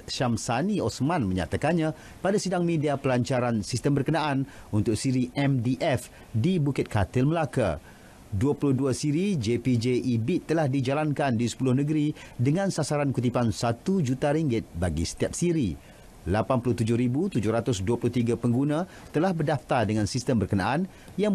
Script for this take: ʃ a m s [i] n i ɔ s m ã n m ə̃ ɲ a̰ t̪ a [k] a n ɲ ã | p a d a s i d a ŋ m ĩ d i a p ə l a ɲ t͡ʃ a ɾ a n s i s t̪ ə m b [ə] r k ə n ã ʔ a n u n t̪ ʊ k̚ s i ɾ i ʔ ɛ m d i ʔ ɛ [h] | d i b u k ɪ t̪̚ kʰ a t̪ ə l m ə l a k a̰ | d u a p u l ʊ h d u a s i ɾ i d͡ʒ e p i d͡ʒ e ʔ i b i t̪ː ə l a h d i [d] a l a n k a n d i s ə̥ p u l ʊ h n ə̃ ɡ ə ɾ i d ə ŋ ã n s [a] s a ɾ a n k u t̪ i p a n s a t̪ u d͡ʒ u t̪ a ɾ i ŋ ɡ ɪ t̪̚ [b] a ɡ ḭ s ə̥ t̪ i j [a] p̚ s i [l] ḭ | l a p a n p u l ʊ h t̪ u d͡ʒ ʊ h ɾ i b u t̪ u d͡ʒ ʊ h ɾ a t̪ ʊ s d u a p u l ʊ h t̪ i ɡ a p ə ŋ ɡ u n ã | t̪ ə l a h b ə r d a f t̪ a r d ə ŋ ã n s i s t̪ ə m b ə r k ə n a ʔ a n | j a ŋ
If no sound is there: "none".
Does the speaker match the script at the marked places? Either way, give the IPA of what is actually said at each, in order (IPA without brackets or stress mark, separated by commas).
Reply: a, k, ə, f, d͡ʒ, a, b, a, ɾ